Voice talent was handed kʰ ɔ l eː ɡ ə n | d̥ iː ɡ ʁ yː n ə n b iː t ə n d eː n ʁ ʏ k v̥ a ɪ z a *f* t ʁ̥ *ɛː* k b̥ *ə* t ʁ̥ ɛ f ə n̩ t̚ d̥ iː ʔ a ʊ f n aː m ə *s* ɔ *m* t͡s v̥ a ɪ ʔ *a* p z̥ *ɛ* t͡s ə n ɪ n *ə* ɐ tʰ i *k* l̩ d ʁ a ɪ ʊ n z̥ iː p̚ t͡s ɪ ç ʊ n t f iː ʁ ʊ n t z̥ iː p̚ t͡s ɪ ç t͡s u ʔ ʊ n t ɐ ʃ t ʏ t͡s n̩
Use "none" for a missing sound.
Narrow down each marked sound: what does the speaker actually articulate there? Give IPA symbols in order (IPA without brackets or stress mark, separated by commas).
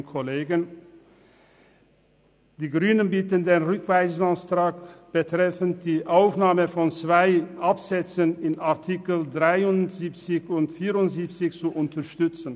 s, aː, ə, f, n, a, ɛ, a, k